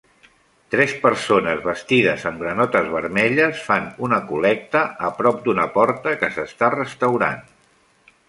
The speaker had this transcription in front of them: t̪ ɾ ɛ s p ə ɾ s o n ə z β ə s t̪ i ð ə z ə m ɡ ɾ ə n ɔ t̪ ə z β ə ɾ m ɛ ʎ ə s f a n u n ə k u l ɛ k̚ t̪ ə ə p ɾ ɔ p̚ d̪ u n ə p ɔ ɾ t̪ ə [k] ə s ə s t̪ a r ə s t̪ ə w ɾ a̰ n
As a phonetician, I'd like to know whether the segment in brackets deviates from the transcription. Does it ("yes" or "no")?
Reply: no